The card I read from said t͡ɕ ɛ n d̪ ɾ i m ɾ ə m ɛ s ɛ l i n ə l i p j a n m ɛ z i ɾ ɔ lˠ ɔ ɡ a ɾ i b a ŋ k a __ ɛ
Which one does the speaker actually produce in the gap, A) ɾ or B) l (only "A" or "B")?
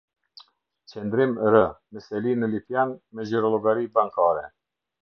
A